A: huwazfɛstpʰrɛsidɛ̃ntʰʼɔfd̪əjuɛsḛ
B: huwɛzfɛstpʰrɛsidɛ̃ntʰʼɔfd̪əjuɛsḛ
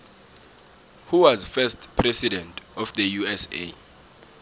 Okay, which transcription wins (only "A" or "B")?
A